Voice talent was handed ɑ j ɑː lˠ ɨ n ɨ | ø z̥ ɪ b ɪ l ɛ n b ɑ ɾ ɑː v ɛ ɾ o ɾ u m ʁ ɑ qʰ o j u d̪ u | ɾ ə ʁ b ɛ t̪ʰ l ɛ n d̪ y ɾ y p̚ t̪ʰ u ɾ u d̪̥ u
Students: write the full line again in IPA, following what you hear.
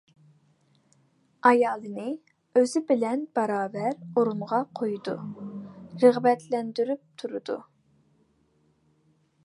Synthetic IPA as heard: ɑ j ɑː lˠ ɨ n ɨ | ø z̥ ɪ b ɪ l ɛ n b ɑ ɾ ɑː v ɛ ɾ o ɾ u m ʁ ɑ qʰ o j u d̪ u | ɾ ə ʁ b ɛ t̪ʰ l ɛ n d̪ y ɾ y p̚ t̪ʰ u ɾ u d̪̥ u